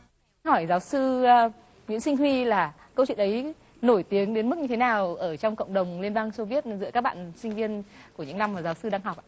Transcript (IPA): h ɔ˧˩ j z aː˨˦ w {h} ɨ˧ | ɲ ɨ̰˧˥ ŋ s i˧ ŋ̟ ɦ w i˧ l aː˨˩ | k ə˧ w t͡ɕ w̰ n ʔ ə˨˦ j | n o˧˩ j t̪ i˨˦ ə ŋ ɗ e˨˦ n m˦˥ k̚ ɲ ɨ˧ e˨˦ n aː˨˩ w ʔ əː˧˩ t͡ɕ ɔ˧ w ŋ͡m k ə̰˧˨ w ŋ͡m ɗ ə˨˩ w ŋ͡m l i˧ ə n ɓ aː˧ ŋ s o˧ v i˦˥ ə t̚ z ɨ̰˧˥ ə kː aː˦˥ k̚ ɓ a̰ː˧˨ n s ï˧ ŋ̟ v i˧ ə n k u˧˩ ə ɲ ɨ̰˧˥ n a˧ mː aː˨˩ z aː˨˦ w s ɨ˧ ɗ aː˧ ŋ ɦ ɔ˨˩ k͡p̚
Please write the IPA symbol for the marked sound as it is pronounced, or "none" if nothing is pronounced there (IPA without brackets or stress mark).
s